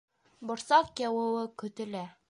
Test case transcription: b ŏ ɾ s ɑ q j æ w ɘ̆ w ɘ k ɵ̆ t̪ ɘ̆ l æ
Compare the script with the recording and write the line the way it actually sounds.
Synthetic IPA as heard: b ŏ ɾ s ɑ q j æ w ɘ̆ w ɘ k ɵ̆ t̪ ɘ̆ l æ